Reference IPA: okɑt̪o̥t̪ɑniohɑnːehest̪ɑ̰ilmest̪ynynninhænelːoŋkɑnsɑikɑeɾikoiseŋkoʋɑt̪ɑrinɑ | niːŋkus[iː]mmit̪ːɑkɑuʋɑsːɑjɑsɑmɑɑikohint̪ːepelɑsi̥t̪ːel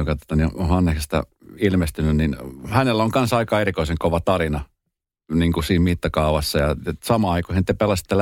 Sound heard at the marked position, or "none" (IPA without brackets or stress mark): iː